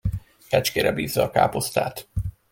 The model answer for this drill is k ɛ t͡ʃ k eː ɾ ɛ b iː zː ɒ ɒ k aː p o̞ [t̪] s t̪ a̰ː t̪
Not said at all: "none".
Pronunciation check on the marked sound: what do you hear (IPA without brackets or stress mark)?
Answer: none